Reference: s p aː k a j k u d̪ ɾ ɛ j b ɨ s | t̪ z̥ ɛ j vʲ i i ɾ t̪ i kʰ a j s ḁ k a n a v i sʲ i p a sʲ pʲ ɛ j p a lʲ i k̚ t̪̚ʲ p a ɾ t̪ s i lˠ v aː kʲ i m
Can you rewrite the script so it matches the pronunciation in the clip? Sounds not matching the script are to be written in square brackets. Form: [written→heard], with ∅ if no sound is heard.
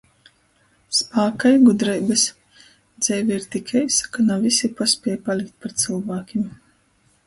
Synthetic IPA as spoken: s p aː k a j [k→ɡ] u d̪ ɾ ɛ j b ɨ s | [t̪→d̪] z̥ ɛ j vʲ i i ɾ t̪ i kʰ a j s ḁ k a n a v i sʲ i p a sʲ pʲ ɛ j p a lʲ i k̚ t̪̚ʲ p a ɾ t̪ s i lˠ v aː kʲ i m